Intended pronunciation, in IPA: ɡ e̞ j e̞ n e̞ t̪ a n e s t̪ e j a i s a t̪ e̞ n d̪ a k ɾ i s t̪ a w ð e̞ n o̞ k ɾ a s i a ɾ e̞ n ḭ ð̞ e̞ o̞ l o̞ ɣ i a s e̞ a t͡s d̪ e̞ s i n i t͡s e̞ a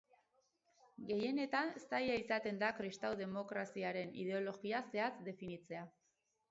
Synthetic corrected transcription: ɡ e̞ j e̞ n e̞ t̪ a n e s t̪ a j a i s a t̪ e̞ n d̪ a k ɾ i s t̪ a w ð e̞ m o̞ k ɾ a s i a ɾ e̞ n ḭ ð̞ e̞ o̞ l o̞ ɣ i a s e̞ a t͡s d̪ e̞ f i n i t͡s e̞ a